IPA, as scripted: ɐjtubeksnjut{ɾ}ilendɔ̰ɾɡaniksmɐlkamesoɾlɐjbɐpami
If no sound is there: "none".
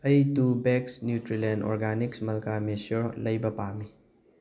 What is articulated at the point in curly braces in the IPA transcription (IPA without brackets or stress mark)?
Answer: ɾ